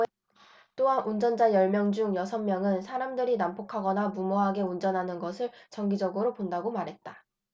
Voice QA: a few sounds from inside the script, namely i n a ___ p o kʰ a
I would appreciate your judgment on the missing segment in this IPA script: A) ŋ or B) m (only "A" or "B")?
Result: B